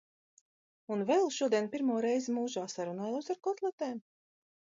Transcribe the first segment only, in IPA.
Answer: u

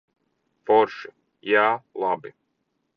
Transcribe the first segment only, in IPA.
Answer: f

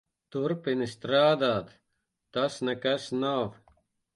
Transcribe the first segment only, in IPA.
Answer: t̪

